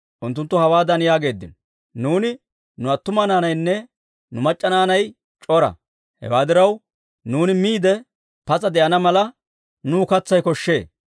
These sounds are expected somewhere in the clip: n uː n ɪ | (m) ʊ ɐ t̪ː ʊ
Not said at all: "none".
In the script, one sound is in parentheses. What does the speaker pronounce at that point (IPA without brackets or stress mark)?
n